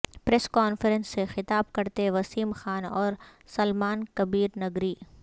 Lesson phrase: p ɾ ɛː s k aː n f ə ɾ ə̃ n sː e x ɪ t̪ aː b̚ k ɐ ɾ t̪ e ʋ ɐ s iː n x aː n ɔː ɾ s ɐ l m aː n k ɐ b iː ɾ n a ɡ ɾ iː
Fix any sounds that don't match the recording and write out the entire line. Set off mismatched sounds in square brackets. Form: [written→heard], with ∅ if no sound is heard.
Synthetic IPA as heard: p ɾ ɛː s k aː n f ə ɾ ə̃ n sː e x ɪ t̪ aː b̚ k ɐ ɾ t̪ e ʋ ɐ s iː [n→m] x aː n ɔː ɾ s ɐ l m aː n k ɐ b iː ɾ n [a→ɐ] ɡ ɾ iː